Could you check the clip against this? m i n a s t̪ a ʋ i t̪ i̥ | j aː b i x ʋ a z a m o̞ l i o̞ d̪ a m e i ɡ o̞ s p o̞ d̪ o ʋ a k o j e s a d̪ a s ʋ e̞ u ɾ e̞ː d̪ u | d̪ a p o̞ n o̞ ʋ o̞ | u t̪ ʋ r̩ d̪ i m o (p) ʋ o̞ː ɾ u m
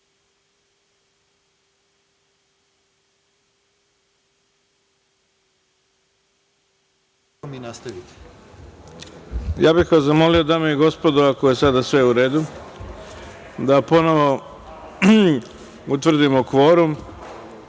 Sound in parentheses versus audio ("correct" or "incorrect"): incorrect